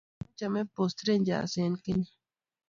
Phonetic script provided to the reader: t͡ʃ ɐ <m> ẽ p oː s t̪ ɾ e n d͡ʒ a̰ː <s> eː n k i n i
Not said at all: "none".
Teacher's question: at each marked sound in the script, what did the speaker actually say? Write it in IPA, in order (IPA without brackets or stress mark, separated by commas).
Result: m, s